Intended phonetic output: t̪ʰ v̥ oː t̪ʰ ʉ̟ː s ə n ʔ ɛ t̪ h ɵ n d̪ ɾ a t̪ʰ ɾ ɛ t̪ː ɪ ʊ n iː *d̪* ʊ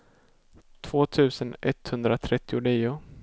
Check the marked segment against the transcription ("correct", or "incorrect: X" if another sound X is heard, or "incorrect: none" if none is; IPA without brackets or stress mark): incorrect: none